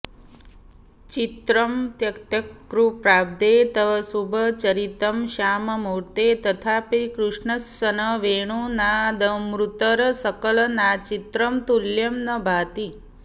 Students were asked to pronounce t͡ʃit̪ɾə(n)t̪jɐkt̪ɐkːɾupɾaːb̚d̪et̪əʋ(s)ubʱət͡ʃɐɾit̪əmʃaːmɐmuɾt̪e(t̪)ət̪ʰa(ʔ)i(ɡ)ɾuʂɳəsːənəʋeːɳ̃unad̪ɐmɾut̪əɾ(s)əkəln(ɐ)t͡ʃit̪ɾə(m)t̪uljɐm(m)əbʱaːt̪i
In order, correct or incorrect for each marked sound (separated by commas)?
incorrect, correct, correct, incorrect, incorrect, correct, incorrect, correct, incorrect